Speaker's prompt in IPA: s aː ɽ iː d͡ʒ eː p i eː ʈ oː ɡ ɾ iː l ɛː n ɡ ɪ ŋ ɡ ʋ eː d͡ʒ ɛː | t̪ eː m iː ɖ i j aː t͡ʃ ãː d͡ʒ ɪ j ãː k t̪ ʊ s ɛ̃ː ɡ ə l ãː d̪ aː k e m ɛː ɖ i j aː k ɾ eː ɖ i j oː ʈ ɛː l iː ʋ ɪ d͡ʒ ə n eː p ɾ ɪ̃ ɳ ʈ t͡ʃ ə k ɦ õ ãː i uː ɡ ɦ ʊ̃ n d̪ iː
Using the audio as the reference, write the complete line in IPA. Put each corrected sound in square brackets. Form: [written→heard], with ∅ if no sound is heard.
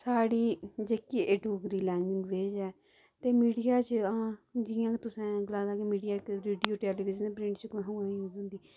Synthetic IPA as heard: s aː ɽ iː d͡ʒ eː [p→k] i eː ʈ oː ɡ ɾ iː l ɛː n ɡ ɪ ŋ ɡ ʋ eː d͡ʒ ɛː | t̪ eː m iː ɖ i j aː t͡ʃ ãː d͡ʒ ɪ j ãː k t̪ ʊ s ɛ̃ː ɡ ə l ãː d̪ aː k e m [ɛː→iː] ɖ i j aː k ɾ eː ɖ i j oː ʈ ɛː l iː ʋ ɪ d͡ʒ ə n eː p ɾ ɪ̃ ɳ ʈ t͡ʃ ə k ɦ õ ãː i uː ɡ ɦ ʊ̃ n d̪ iː